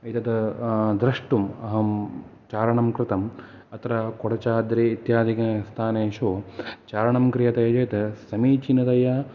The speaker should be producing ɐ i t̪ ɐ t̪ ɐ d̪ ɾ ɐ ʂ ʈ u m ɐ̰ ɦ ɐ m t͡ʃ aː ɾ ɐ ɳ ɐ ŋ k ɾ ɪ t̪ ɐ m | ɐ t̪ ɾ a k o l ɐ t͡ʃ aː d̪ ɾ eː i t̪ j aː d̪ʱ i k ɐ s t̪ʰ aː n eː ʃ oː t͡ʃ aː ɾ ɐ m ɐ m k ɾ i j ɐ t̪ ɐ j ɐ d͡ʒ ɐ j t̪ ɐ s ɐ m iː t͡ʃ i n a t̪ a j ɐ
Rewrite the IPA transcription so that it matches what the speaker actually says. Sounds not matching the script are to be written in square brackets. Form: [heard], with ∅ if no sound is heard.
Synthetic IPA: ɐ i t̪ ɐ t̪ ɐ d̪ ɾ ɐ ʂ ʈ u m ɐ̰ ɦ ɐ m t͡ʃ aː ɾ ɐ ɳ ɐ [m] k ɾ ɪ t̪ ɐ m | ɐ t̪ ɾ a k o [ɽ] ɐ t͡ʃ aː d̪ ɾ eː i t̪ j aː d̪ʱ i k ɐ s t̪ʰ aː n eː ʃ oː t͡ʃ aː ɾ ɐ [ɳ] ɐ m k ɾ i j ɐ t̪ ɐ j ɐ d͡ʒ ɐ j t̪ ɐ s ɐ m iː t͡ʃ i n [ɐ] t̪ [ɐ] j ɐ